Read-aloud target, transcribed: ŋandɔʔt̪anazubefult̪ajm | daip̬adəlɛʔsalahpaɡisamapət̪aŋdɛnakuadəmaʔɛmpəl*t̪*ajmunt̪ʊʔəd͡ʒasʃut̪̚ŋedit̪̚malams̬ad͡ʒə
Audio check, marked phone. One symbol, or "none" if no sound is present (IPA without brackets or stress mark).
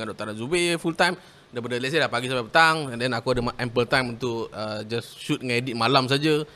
t̪